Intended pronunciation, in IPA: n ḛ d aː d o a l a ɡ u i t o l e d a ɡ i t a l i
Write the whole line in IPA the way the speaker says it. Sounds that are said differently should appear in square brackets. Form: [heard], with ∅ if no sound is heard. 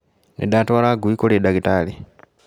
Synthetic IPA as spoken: n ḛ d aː [t] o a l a ɡ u i [k] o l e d a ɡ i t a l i

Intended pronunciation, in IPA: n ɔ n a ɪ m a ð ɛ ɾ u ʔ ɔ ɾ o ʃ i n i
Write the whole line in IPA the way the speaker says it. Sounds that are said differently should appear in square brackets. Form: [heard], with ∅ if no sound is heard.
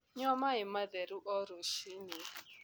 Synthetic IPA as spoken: [ɲ] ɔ [m] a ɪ m a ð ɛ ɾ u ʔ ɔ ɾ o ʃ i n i

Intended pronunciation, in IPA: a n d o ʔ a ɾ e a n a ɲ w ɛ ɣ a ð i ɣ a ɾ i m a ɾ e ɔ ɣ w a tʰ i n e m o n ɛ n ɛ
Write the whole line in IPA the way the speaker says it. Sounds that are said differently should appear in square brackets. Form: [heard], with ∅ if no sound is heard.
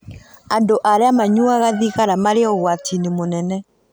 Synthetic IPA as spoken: a n d o ʔ a ɾ e a [m] a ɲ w [a] ɣ a ð i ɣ a ɾ [a] m a ɾ e ɔ ɣ w a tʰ i n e m o n ɛ n ɛ

